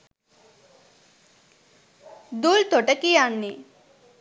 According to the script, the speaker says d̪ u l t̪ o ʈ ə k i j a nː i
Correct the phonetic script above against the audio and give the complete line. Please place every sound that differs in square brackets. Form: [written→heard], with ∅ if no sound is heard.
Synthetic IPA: d̪ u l t̪ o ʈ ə k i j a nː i